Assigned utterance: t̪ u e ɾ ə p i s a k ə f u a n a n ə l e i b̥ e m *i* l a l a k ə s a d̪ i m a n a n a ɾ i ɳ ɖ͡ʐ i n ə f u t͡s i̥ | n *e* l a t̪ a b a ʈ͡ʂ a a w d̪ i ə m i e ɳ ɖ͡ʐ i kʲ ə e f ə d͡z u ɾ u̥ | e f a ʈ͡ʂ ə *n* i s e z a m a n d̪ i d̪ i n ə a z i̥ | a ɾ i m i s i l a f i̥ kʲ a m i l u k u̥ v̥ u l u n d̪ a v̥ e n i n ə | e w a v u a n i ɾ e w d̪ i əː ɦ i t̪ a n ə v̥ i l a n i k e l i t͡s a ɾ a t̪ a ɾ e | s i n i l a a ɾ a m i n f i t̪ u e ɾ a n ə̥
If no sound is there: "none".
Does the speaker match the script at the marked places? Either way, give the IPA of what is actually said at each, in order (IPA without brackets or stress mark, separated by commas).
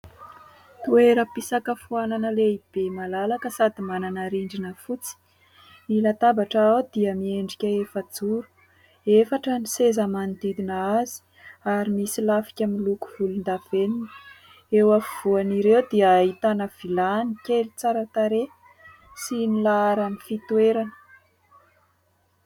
a, i, n